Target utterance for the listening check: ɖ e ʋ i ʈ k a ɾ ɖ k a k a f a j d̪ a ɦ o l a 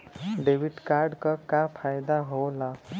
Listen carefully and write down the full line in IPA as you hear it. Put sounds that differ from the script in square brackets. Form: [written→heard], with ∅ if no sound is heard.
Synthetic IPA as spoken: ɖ e ʋ i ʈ k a ɾ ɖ k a k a f a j d̪ a ɦ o l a